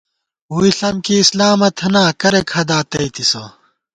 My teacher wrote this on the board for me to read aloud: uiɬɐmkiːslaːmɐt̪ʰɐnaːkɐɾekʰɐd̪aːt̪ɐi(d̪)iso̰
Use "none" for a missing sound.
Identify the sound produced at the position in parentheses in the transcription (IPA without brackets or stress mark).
t̪